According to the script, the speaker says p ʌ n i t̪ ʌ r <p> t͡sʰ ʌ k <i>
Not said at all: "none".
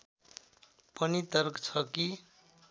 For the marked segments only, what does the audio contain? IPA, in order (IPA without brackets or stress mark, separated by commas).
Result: k, i